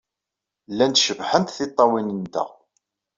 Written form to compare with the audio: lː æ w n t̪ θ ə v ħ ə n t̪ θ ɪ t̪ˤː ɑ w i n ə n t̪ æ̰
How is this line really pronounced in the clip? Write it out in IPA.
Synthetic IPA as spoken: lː æ n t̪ ʃ ə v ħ ə n t̪ θ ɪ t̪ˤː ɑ w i n ə n t̪ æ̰